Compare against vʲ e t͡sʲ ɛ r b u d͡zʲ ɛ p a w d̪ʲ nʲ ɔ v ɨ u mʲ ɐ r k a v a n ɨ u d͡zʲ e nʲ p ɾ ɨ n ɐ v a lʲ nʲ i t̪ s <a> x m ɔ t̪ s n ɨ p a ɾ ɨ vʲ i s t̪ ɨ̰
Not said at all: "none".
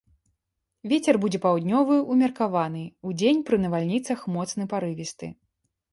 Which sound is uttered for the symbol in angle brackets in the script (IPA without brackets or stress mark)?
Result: ɐ